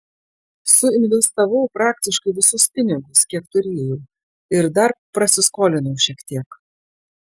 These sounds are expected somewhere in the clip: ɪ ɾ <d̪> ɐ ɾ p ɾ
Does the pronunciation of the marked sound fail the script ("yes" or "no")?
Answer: no